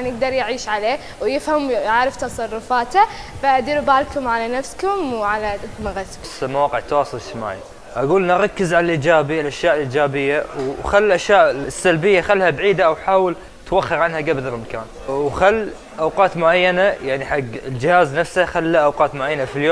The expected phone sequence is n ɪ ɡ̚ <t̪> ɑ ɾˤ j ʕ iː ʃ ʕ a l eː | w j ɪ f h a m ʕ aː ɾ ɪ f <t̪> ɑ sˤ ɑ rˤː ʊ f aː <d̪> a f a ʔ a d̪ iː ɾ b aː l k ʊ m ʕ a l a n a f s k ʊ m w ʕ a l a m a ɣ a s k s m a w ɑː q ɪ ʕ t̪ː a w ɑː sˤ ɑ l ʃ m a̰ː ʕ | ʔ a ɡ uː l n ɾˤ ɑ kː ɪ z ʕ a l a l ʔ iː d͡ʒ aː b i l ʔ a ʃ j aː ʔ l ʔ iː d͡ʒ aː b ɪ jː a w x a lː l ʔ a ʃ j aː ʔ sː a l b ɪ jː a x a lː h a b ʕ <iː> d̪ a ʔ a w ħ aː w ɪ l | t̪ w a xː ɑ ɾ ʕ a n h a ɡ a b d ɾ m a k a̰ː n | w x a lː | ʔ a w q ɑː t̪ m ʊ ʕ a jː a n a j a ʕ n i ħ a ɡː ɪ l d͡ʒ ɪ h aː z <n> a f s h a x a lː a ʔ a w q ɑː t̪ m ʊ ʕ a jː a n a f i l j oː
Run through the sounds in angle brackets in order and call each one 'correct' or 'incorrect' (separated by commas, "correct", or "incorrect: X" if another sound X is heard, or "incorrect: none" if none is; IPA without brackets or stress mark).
incorrect: d̪, correct, incorrect: t̪, correct, correct